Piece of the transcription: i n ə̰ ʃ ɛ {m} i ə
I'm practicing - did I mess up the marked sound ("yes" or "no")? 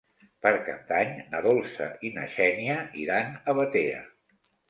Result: yes